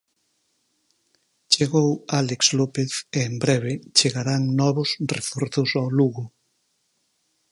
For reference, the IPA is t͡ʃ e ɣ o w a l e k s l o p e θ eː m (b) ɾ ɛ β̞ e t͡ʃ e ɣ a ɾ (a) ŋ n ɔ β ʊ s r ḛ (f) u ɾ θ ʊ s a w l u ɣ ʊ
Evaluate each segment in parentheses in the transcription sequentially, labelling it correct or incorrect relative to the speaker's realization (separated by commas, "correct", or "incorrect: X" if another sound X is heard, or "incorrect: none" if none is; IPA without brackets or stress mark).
correct, correct, correct